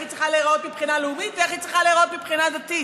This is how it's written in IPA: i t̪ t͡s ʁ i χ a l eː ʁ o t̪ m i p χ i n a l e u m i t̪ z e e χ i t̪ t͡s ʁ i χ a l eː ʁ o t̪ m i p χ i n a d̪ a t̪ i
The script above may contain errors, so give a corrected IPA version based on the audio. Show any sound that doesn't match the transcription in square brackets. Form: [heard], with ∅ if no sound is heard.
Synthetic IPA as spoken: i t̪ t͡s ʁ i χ a l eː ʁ o t̪ m i p χ i n a l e u m i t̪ [v] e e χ i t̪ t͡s ʁ i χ a l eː ʁ o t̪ m i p χ i n a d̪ a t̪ i